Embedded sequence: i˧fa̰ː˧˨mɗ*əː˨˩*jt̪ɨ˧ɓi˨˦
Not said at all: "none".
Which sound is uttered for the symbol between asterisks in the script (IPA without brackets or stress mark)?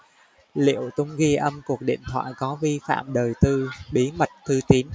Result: əː˨˩